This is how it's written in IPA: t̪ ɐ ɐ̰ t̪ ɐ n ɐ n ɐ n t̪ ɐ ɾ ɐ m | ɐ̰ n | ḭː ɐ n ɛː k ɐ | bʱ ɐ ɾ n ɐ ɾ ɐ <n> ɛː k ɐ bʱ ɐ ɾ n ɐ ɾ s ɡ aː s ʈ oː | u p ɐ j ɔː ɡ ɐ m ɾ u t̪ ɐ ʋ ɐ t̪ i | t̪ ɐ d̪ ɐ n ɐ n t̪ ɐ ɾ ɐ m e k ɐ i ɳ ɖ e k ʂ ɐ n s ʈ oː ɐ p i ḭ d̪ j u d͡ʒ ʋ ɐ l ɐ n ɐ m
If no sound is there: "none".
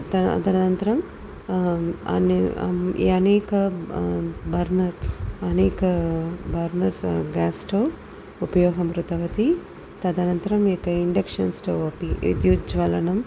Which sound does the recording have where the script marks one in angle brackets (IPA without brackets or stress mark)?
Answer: n